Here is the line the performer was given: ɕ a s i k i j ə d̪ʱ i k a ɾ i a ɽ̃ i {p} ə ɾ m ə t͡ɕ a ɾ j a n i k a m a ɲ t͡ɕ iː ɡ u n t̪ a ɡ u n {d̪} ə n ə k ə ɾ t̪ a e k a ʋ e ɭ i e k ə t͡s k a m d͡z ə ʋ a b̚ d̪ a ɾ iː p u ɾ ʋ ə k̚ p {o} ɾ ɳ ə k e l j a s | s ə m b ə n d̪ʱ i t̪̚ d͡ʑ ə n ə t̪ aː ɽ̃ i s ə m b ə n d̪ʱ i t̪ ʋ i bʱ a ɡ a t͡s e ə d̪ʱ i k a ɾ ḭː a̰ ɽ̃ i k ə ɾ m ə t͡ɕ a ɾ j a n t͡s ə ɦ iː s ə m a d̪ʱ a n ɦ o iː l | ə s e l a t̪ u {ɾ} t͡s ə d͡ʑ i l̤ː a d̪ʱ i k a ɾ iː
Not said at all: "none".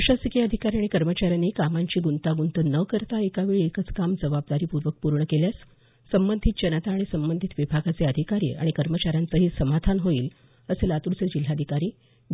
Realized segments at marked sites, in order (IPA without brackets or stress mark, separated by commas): k, t̪, u, ɾ